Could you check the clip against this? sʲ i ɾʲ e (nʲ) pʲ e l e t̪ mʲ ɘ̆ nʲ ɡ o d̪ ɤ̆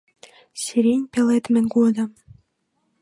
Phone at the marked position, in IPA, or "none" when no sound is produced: nʲ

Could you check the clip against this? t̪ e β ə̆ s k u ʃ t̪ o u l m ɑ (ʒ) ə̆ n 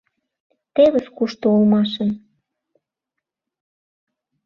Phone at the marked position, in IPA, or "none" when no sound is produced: ʃ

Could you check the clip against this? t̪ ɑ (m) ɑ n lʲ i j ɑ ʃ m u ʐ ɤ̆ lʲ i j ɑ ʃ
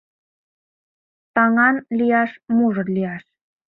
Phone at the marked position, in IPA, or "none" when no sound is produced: ŋ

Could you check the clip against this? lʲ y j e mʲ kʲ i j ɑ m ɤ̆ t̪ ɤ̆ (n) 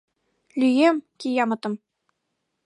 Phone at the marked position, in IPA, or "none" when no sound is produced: m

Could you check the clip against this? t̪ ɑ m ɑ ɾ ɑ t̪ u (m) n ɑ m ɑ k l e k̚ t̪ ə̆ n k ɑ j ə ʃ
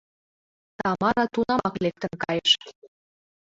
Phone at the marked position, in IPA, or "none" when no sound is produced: none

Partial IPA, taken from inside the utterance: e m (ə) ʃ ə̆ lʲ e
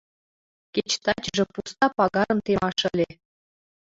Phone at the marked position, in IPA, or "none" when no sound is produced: ɑ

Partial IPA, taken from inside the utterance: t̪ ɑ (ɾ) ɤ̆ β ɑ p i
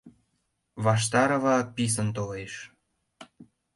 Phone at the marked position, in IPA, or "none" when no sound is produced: ɾ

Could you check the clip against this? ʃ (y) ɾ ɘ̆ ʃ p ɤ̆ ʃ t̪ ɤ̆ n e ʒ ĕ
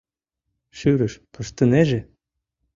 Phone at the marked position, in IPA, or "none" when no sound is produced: y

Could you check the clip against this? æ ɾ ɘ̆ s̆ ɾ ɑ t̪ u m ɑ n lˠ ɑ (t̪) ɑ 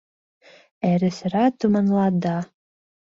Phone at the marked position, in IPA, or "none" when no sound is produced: d̪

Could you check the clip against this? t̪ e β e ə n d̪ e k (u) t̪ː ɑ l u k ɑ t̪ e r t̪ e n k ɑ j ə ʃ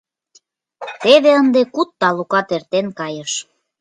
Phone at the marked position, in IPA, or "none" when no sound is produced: u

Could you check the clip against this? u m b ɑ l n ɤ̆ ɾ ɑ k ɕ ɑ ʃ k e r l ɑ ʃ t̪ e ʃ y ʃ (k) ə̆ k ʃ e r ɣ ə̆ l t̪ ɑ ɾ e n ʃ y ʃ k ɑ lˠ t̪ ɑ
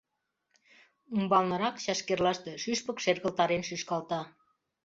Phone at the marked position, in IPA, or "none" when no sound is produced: p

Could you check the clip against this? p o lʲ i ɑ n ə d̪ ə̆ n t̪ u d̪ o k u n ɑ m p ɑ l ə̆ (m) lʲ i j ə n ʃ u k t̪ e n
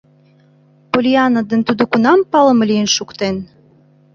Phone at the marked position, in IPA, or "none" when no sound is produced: m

